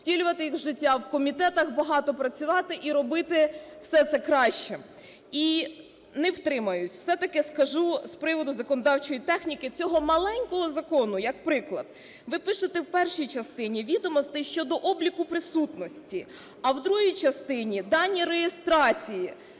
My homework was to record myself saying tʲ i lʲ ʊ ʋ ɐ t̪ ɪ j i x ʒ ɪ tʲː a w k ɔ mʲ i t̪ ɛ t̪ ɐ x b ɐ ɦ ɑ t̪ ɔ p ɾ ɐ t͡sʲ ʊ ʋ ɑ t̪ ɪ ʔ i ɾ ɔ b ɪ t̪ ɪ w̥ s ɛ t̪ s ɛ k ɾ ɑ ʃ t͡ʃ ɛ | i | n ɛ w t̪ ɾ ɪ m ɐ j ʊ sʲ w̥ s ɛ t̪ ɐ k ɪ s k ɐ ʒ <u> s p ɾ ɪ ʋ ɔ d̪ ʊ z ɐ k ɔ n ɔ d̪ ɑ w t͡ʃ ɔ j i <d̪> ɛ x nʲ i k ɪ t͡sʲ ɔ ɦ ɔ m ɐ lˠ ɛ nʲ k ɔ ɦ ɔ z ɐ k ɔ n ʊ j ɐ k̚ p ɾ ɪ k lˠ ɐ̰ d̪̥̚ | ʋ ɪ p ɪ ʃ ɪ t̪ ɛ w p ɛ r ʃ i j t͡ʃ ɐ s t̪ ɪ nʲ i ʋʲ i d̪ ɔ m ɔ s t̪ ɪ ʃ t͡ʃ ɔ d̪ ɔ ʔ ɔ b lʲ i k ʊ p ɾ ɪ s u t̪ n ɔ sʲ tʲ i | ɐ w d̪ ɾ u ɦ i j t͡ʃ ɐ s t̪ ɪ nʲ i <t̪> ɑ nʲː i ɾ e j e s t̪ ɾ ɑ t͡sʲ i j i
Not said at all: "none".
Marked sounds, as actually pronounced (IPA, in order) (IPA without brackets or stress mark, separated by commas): u, t̪, d̪